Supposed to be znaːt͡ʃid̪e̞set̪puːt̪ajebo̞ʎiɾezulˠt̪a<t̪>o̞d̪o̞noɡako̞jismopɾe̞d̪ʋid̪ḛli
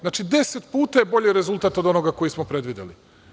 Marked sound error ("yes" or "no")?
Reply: no